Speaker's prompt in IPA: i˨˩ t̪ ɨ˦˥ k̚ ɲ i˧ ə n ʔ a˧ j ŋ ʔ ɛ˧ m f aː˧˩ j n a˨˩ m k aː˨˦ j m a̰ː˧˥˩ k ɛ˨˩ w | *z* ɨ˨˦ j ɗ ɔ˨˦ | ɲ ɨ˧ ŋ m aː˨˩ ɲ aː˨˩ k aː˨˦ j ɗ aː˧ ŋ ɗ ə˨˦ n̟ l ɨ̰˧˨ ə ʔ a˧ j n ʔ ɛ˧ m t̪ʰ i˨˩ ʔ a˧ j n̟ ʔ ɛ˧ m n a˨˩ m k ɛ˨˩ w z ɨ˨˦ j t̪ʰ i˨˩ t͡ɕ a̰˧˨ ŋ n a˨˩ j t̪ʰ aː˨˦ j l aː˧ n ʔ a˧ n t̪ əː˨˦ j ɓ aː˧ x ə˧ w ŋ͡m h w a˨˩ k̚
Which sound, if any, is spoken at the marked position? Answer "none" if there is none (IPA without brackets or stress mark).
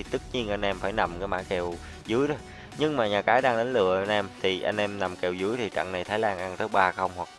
z